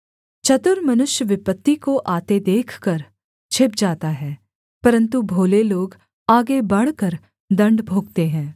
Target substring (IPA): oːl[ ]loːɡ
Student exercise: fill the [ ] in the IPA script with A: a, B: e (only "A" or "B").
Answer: B